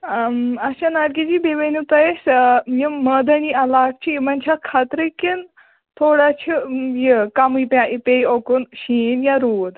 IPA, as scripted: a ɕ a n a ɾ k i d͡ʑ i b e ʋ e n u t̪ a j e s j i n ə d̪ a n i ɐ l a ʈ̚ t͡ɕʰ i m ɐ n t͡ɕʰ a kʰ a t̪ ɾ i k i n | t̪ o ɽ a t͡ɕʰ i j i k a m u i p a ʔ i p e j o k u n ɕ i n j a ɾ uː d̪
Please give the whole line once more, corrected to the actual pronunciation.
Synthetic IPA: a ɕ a n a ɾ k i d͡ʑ i b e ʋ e n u t̪ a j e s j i m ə d̪ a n i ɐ l a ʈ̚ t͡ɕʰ i m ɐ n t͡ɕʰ a kʰ a t̪ ɾ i k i n | t̪ʰ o ɽ a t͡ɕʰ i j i k a m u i p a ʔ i p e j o k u n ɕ i n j a ɾ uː d̪